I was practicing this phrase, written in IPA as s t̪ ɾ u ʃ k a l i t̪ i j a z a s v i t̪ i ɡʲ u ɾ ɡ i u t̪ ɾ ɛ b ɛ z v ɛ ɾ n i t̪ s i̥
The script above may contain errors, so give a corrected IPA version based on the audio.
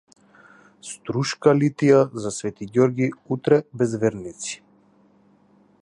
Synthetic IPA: s t̪ ɾ u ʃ k a l i t̪ i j a z a s v ɛ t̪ i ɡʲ ɔ ɾ ɡ i u t̪ ɾ ɛ b ɛ z v ɛ ɾ n i t̪ s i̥